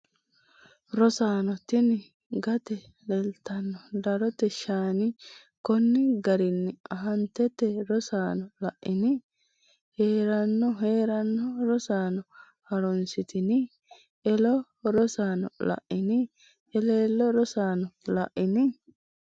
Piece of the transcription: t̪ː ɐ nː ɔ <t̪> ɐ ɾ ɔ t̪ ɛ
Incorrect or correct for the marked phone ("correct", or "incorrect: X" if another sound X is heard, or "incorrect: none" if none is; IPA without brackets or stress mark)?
incorrect: d̪